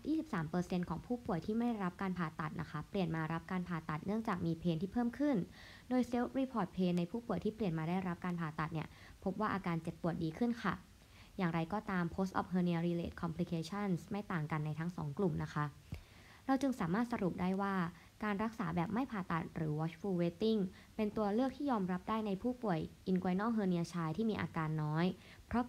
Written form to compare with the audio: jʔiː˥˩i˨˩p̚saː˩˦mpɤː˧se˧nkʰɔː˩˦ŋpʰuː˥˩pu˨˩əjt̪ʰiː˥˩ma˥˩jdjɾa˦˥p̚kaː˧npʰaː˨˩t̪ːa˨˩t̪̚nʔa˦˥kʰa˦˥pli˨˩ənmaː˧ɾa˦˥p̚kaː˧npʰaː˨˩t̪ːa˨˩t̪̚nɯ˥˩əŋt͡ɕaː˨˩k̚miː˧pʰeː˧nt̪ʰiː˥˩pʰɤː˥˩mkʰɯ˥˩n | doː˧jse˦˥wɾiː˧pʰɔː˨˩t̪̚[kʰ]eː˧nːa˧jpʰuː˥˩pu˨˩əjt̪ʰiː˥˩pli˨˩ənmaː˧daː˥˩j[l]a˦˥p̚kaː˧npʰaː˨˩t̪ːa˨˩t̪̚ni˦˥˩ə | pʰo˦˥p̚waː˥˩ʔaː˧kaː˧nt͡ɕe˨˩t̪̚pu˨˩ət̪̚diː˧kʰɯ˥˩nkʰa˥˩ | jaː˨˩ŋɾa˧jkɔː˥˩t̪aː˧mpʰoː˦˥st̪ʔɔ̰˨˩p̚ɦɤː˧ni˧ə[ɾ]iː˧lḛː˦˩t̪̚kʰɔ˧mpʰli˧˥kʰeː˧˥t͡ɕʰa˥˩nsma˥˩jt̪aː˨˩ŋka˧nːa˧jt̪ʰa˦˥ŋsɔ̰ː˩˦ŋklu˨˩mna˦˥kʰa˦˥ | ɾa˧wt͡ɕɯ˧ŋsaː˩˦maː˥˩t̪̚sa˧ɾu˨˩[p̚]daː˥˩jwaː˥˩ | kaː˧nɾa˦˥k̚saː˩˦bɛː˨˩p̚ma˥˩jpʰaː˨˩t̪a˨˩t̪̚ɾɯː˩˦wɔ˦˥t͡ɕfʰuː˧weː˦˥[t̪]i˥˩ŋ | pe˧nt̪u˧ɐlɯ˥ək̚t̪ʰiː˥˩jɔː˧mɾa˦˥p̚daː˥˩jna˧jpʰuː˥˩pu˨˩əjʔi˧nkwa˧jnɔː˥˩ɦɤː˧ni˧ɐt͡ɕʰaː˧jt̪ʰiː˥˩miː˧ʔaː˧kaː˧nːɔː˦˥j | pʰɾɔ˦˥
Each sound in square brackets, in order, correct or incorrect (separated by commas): incorrect, incorrect, correct, correct, correct